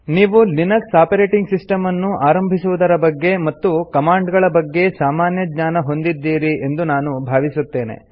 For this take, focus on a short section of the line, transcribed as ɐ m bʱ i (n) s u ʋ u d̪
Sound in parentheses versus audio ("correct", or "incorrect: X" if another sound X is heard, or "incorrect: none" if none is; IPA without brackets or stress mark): incorrect: none